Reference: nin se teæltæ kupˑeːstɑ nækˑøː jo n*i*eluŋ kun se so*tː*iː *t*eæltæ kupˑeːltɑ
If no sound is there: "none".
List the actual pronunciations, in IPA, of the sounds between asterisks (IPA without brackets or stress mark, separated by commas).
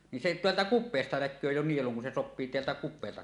i, pː, t